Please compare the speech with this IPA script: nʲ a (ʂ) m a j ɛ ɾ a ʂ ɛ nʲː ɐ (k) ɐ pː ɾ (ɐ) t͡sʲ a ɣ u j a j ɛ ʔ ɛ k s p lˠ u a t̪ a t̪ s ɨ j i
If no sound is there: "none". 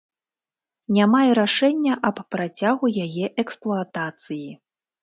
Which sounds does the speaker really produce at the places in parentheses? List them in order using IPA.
none, ʔ, a

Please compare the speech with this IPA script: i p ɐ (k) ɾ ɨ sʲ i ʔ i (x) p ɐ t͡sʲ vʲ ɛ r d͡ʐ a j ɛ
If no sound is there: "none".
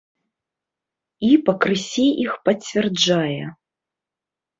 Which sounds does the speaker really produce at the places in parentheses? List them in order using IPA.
k, x

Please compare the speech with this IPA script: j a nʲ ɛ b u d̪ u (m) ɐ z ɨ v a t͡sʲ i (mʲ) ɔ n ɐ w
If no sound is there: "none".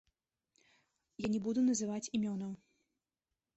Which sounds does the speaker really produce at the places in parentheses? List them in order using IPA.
n, mʲ

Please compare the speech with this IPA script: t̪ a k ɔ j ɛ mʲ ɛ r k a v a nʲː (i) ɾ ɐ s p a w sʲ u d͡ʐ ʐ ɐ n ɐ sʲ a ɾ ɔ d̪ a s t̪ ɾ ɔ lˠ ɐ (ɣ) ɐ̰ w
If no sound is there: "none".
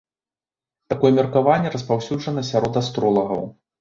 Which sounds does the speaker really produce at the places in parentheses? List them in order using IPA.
ɛ, ɣ

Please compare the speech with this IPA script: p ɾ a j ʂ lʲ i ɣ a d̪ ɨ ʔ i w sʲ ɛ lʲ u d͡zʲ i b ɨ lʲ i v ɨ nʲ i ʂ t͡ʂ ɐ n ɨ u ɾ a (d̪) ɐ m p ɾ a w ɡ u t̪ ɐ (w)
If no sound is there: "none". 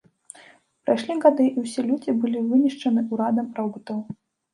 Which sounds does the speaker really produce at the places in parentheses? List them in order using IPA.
d̪, w

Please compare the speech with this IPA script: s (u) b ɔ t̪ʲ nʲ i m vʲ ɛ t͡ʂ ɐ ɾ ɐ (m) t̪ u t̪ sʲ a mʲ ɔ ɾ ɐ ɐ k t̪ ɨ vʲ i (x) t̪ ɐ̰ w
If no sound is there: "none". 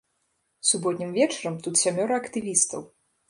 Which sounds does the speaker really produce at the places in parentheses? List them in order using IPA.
u, m, s

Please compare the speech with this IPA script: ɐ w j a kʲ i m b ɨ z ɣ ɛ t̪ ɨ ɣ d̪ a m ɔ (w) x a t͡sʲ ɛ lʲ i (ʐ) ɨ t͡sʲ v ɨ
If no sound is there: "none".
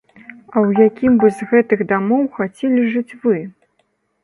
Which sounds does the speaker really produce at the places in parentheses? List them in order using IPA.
w, ʐ

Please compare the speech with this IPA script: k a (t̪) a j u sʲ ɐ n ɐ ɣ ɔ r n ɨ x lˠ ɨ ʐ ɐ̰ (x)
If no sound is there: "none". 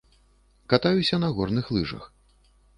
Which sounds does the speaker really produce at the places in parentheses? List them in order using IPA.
t̪, x

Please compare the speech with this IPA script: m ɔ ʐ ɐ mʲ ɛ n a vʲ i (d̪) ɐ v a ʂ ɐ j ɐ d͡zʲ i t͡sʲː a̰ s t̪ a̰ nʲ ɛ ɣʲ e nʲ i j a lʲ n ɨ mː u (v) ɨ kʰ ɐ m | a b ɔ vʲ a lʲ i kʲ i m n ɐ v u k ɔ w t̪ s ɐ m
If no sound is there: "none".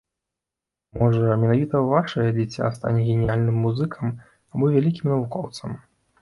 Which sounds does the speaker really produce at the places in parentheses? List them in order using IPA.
t̪, z

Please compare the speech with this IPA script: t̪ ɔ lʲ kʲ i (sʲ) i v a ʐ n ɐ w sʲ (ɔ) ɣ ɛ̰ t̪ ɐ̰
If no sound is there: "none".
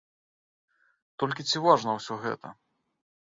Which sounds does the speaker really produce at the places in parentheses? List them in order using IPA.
t͡sʲ, ɔ

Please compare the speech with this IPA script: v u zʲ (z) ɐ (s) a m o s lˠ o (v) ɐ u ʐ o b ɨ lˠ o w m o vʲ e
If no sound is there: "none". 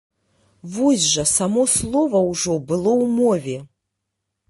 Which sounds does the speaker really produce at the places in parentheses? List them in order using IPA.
ʒ, s, v

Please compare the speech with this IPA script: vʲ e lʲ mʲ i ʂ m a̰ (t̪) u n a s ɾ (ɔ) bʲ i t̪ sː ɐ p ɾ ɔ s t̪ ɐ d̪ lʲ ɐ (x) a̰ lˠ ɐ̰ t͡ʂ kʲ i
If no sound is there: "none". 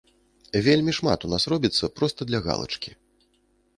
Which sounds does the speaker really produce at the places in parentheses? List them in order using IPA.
t̪, ɔ, ɣ

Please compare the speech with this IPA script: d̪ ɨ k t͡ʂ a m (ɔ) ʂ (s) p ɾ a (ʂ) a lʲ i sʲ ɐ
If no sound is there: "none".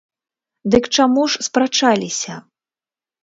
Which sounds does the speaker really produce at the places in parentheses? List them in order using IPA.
u, s, t͡ʂ

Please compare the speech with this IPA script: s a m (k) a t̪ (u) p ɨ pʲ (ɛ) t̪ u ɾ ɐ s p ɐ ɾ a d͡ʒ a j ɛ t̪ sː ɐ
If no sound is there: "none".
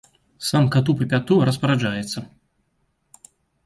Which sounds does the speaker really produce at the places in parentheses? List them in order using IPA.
k, u, a

